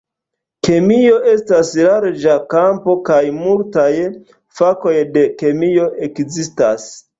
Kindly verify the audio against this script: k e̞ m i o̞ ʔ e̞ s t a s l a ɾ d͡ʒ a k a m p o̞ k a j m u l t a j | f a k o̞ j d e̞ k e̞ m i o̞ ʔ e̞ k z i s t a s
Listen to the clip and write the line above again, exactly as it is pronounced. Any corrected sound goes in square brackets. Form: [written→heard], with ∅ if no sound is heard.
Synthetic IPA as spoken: k e̞ m i o̞ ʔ e̞ s t a s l a ɾ d͡ʒ a k a m p o̞ k a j m u l t a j | f a k o̞ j d e̞ k e̞ m i o̞ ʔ e̞ k z i s t a s